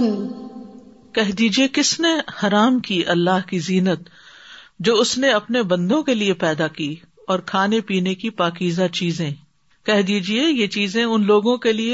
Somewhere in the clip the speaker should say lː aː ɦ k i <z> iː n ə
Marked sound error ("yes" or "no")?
no